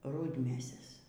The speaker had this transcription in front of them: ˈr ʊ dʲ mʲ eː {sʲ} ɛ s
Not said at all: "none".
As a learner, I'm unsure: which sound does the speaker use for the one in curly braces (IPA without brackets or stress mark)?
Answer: sʲ